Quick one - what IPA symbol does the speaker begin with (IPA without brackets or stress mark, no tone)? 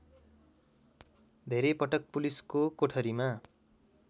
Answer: d̪ʱ